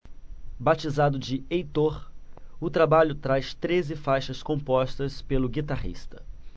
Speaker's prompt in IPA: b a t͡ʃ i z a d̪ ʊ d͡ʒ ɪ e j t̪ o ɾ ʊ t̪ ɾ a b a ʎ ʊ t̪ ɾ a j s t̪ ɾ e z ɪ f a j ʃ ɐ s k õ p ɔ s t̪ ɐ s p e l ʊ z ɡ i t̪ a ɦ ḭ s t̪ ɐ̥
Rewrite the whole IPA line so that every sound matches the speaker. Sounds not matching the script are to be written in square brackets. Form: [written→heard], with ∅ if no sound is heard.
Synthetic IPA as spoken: b a t͡ʃ i z a d̪ ʊ d͡ʒ ɪ e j t̪ o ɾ ʊ t̪ ɾ a b a ʎ ʊ t̪ ɾ a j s t̪ ɾ e z ɪ f a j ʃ ɐ s k õ p ɔ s t̪ ɐ s p e l ʊ [z→∅] ɡ i t̪ a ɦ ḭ s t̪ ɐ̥

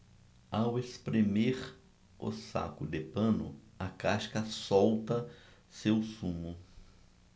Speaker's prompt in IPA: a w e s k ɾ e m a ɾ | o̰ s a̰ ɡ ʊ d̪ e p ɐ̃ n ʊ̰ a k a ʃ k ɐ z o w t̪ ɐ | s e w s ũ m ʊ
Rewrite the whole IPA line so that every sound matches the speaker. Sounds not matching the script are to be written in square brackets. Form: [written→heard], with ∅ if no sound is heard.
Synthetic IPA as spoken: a w e s [k→p] ɾ e m [a→e] ɾ | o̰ s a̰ [ɡ→k] ʊ d̪ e p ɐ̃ n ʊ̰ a k a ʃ k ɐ [z→s] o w t̪ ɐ | s e w s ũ m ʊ

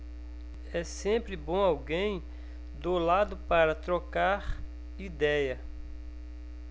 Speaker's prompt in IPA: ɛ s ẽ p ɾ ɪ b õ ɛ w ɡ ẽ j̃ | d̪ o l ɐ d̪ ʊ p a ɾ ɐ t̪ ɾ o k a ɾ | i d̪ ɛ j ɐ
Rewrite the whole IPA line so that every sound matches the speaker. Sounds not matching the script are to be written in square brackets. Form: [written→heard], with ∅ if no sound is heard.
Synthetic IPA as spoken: ɛ s ẽ p ɾ ɪ b õ [ɛ→a] w ɡ ẽ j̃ | d̪ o l [ɐ→a] d̪ ʊ p a ɾ ɐ t̪ ɾ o k a ɾ | i d̪ ɛ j ɐ

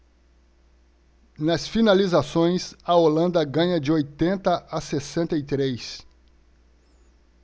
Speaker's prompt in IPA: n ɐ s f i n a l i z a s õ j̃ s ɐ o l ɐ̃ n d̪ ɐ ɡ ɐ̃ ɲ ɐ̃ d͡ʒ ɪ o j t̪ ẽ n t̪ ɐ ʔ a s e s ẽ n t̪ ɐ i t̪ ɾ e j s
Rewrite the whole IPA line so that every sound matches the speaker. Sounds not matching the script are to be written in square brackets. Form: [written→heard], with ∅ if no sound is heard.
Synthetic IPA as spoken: n ɐ s f i n a l i z a s õ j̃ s ɐ o l ɐ̃ n d̪ ɐ ɡ ɐ̃ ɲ [ɐ̃→ɐ] d͡ʒ ɪ o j t̪ ẽ n t̪ ɐ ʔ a s e s ẽ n t̪ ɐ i t̪ ɾ e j s

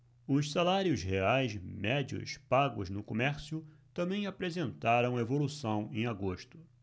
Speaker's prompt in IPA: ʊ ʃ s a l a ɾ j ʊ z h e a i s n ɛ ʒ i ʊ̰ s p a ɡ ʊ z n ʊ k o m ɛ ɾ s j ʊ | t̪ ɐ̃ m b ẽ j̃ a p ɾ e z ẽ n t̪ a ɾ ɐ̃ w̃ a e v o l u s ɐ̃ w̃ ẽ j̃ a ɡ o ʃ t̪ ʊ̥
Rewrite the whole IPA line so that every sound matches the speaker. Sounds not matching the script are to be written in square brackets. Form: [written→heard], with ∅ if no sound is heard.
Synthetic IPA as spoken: ʊ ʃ s a l a ɾ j ʊ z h e a [i→j] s [n→m] ɛ [ʒ→d͡ʒ] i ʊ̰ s p a ɡ ʊ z n ʊ k o m ɛ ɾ s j ʊ | t̪ ɐ̃ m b ẽ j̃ a p ɾ e z ẽ n t̪ a ɾ ɐ̃ w̃ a e v o l u s ɐ̃ w̃ ẽ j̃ a ɡ o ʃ t̪ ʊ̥

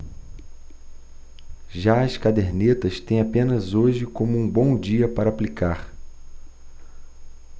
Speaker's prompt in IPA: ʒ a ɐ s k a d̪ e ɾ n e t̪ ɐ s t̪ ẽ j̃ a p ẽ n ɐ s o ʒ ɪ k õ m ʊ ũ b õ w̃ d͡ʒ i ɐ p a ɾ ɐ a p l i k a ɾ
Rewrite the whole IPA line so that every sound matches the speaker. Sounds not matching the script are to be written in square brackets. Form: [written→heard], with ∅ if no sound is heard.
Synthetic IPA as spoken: ʒ a ɐ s k a d̪ e ɾ n e t̪ ɐ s t̪ ẽ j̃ a p ẽ n ɐ [s→z] o ʒ ɪ k õ m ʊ ũ b õ w̃ d͡ʒ i ɐ p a ɾ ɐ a p l i k a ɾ

